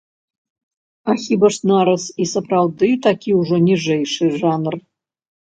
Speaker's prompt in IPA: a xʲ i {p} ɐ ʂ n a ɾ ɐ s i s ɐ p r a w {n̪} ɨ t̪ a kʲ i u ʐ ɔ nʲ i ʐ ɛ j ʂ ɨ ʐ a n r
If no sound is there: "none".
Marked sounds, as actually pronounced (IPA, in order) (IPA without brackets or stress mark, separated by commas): b, d̪